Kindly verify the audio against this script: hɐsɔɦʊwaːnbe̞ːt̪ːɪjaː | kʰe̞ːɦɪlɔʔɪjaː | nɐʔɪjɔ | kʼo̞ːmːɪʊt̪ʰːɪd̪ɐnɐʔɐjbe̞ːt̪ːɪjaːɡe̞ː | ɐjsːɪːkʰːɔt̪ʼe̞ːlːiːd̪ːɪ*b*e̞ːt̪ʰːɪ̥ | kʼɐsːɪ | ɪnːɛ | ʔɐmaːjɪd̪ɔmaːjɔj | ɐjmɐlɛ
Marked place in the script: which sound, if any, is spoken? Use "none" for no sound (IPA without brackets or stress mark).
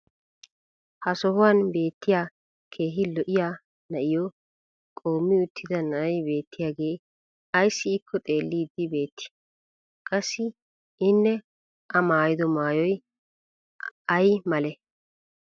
b